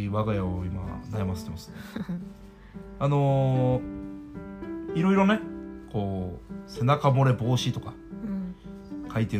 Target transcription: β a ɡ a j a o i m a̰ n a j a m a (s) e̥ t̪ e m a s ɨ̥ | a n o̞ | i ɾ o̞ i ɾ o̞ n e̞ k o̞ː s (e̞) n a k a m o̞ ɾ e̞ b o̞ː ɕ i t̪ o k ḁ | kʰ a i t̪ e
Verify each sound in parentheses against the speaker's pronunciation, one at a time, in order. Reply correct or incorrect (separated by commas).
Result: correct, correct